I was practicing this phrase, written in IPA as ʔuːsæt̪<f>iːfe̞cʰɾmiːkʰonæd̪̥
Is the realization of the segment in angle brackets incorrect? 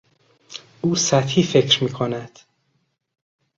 yes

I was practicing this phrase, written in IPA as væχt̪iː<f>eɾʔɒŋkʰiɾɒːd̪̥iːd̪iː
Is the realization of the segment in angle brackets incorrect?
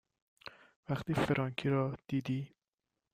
no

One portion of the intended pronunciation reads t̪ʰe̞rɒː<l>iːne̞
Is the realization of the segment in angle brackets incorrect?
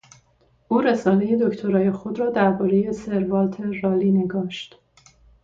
no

